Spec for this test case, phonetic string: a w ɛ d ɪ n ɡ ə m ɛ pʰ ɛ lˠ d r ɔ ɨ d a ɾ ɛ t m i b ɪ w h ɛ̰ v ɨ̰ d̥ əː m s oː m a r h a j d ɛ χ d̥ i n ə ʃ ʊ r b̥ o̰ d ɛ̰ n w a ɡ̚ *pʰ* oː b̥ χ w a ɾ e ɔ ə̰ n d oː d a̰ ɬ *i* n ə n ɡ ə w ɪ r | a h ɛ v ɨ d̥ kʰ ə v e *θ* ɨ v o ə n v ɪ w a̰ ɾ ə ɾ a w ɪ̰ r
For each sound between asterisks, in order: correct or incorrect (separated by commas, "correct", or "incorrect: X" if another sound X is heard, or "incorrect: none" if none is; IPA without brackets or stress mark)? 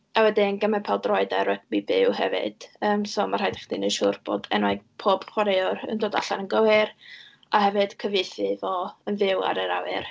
correct, incorrect: a, correct